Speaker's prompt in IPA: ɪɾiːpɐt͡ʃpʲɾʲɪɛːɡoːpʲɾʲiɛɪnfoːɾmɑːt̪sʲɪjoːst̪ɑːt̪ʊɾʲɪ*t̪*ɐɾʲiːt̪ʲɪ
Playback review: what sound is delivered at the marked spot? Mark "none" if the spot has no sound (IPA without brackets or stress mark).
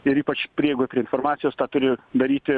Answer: d̪